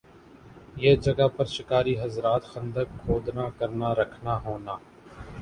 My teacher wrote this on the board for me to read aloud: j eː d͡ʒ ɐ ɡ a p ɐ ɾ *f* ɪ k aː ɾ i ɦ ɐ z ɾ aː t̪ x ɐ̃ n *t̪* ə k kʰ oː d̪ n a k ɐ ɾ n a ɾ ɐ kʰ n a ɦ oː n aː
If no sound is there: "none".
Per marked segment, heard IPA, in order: ʃ, d̪

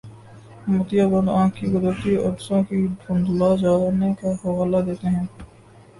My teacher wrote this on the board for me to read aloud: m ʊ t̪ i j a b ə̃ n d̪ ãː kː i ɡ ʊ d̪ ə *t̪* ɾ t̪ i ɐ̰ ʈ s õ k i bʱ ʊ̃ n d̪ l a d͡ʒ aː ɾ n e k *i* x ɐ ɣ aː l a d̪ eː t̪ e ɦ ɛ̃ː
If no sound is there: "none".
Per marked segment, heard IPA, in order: none, a

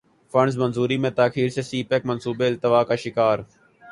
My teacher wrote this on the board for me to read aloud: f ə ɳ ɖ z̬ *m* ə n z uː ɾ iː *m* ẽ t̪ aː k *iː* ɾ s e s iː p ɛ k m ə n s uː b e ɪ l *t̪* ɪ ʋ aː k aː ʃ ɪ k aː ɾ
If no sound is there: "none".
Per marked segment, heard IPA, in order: m, m, iː, t̪

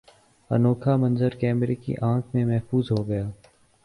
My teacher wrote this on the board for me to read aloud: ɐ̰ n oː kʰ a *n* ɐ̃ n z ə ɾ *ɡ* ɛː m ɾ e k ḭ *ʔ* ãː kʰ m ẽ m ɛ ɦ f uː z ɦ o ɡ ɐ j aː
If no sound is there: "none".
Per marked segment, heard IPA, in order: m, k, ʔ

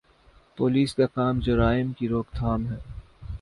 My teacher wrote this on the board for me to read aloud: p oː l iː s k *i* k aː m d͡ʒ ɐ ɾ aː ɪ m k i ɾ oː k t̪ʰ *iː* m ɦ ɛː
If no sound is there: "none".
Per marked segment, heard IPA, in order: a, aː

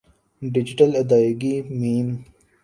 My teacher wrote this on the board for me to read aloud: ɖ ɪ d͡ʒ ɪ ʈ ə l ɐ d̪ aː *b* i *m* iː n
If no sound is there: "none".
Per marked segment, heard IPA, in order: ɡ, m

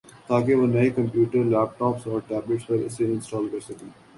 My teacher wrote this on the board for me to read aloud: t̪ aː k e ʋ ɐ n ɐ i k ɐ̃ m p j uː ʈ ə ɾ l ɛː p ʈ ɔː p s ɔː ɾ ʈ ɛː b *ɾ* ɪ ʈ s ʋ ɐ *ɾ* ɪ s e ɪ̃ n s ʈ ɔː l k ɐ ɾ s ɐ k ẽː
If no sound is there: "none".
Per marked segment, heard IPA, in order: l, ɾ

